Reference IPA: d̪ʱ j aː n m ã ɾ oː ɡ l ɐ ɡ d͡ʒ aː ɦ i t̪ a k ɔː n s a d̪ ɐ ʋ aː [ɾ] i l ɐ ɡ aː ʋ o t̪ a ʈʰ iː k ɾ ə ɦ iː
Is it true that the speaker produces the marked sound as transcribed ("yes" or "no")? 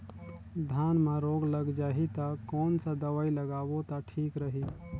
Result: no